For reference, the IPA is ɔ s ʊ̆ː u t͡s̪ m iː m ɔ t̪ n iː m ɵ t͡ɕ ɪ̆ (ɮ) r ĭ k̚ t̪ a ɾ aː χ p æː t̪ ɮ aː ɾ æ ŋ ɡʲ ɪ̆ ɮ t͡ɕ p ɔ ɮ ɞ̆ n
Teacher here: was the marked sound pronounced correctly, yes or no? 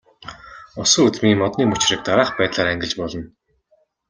no